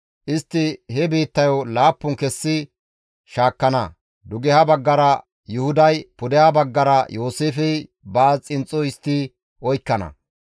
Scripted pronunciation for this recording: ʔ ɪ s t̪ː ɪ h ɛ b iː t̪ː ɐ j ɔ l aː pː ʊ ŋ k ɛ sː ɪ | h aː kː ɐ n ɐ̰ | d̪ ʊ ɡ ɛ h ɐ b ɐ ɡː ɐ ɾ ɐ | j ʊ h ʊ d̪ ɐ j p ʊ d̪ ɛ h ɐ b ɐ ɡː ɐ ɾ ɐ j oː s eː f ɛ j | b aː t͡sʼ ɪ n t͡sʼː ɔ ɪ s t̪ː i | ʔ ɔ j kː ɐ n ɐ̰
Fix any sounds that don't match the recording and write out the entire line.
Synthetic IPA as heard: ʔ ɪ s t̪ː ɪ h ɛ b iː t̪ː ɐ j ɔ l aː pː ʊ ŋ k ɛ sː ɪ | ʃ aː kː ɐ n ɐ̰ | d̪ ʊ ɡ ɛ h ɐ b ɐ ɡː ɐ ɾ ɐ | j ʊ h ʊ d̪ ɐ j p ʊ d̪ ɛ h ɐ b ɐ ɡː ɐ ɾ ɐ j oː s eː f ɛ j | b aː t͡sʼ ɪ n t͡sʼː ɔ ɪ s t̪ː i | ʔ ɔ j kː ɐ n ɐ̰